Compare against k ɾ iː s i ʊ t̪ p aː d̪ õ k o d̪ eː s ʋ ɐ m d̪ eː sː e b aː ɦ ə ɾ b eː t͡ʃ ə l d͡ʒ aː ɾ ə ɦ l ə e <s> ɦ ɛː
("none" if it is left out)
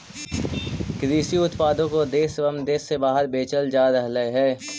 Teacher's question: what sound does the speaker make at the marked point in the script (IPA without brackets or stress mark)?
none